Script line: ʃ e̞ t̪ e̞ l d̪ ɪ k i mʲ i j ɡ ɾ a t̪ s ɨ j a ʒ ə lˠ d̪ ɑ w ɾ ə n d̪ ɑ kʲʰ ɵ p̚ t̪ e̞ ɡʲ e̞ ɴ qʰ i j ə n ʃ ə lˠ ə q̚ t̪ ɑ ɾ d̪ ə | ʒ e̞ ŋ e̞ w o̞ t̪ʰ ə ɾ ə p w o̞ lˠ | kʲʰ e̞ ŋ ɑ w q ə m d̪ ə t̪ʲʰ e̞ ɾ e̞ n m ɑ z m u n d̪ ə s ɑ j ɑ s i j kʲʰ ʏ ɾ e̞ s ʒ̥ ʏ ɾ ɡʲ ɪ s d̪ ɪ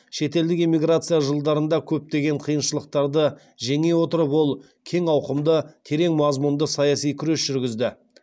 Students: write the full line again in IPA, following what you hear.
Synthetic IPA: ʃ e̞ t̪ e̞ l d̪ ɪ k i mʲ i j ɡ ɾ a t̪ s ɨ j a ʒ ə lˠ d̪ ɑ ɾ ə n d̪ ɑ kʲʰ ɵ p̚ t̪ e̞ ɡʲ e̞ ɴ qʰ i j ə n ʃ ə lˠ ə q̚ t̪ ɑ ɾ d̪ ə | ʒ e̞ ŋ e̞ w o̞ t̪ ə ɾ ə p w o̞ lˠ | kʲʰ e̞ ŋ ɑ w q ə m d̪ ə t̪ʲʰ e̞ ɾ e̞ ŋ m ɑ z m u n d̪ ə s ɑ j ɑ s i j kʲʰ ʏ ɾ e̞ s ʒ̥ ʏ ɾ ɡʲ ɪ z d̪ ɪ